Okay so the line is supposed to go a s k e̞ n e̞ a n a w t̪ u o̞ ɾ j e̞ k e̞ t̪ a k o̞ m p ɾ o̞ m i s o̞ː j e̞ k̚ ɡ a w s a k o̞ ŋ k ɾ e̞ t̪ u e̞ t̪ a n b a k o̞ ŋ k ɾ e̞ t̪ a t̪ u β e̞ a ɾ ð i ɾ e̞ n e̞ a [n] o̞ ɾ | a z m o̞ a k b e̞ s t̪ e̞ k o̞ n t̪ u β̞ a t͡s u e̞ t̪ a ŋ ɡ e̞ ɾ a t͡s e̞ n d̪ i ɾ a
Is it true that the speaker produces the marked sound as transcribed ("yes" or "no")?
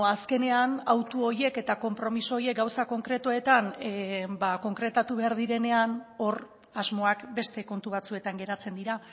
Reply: yes